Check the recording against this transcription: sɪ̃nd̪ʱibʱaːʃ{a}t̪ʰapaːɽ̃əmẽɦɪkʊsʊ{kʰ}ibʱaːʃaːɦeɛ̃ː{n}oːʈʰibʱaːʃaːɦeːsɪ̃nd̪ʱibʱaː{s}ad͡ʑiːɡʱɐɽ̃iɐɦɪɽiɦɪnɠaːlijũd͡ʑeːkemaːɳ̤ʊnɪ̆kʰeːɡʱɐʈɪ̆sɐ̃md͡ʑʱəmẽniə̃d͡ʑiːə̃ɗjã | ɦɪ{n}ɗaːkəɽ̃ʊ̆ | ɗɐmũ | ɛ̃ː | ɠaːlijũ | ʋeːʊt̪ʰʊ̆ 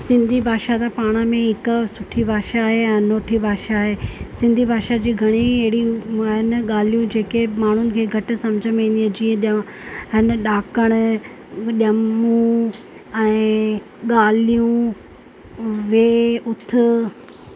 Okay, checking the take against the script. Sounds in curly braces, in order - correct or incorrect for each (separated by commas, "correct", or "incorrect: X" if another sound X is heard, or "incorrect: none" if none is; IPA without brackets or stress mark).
correct, incorrect: ʈʰ, correct, incorrect: ʃ, correct